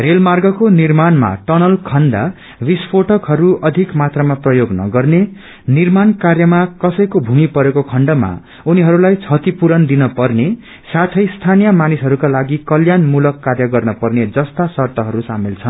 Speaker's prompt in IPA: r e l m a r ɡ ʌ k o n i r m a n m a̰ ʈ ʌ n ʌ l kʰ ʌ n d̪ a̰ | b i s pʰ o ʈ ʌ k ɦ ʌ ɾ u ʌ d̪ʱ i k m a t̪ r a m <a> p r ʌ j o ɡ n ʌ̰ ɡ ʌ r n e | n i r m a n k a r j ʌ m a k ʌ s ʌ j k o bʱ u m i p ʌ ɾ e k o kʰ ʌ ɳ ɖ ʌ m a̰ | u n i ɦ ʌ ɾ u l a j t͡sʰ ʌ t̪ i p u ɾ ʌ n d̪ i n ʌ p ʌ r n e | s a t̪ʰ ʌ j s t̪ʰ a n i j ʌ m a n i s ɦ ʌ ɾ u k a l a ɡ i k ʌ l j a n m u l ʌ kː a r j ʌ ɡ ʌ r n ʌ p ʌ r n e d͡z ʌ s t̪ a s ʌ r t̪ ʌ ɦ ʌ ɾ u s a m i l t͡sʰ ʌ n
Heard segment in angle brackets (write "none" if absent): a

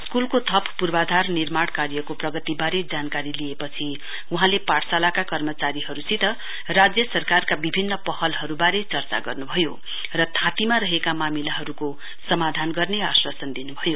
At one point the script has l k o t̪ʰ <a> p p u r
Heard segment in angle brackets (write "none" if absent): ʌ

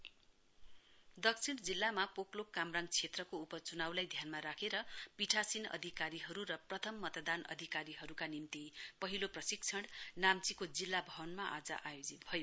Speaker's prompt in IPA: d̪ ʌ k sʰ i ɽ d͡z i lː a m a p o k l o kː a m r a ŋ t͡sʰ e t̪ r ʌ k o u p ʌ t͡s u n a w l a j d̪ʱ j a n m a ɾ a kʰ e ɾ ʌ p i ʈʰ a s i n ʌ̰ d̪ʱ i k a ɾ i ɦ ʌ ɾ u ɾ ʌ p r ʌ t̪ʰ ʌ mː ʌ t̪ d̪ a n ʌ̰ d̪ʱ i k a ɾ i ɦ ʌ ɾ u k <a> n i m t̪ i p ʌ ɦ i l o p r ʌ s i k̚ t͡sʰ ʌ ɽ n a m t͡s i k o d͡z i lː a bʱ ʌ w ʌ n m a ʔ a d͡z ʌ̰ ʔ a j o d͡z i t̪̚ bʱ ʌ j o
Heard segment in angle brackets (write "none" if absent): a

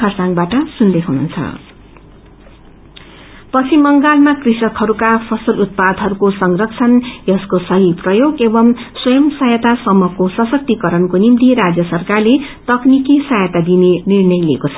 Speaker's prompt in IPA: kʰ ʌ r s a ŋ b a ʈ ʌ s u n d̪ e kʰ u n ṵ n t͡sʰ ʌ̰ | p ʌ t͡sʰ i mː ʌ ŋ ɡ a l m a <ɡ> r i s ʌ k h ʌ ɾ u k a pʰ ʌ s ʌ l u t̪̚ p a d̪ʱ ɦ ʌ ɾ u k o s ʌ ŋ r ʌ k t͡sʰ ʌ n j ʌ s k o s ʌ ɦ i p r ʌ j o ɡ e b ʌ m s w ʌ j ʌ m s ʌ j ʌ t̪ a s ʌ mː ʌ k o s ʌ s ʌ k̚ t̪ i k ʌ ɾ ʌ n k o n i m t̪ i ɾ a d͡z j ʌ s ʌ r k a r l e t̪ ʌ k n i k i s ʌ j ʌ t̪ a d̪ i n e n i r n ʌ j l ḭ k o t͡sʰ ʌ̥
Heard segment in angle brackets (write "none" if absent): k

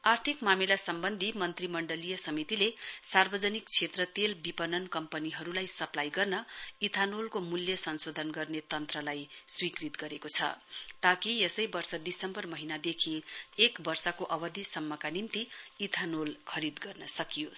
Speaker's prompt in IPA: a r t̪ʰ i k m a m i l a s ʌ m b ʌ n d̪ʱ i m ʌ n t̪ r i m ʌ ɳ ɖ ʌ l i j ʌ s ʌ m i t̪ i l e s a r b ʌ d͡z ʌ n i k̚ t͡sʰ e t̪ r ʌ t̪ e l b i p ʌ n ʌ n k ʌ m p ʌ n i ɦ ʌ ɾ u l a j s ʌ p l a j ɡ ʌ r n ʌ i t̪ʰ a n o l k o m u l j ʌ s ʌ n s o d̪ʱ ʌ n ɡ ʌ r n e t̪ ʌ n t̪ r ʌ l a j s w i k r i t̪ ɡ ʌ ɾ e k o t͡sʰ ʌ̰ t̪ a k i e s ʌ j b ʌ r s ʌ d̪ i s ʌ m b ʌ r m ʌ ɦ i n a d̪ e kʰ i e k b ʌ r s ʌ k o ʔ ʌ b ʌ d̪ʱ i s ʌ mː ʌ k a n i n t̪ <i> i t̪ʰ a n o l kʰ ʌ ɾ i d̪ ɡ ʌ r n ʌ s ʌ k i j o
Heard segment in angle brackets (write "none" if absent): i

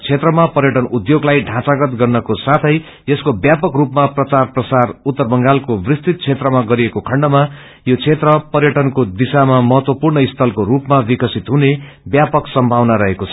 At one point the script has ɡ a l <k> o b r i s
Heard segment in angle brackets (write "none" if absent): k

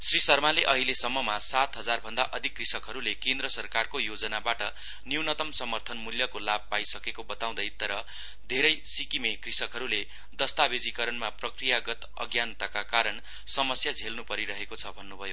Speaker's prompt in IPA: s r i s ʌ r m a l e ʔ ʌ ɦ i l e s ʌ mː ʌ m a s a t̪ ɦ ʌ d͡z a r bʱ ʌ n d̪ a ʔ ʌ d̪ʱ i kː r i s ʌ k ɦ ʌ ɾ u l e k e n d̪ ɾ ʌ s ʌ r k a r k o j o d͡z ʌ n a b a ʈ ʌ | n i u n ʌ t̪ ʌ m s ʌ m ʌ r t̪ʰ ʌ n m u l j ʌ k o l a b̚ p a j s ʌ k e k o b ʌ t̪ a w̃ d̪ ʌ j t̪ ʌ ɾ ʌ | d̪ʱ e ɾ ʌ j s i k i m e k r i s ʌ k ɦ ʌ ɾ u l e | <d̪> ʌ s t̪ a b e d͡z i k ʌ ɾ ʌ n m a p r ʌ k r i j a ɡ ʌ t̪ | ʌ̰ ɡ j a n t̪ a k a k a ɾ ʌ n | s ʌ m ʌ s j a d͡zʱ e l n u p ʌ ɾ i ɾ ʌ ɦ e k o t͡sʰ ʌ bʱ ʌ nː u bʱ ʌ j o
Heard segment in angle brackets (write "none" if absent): d̪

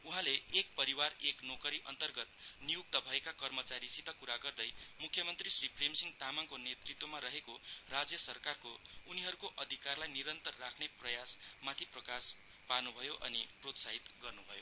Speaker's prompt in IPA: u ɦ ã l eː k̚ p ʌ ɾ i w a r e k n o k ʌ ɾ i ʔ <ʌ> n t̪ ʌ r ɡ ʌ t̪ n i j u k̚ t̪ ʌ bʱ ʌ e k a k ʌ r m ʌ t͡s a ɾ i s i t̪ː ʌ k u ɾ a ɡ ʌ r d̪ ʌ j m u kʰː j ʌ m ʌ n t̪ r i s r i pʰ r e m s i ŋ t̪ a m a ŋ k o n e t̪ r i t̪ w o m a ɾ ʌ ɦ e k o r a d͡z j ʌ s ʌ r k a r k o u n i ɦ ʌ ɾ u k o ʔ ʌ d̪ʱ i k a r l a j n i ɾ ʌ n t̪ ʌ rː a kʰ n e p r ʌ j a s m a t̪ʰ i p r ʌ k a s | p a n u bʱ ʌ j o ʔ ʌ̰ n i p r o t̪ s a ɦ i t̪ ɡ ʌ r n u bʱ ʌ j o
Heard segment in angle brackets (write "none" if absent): ʌ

